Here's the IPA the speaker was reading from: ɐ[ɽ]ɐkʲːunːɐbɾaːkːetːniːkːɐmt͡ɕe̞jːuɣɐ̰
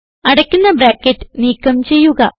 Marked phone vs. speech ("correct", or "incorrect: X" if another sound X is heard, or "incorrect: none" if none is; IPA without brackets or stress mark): correct